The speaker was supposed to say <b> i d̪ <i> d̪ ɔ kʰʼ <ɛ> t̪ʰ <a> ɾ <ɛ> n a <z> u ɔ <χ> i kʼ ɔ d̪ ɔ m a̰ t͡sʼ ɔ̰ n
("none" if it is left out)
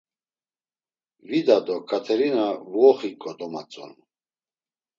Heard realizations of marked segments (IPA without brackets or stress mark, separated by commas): v, a, a, ɛ, i, v, χ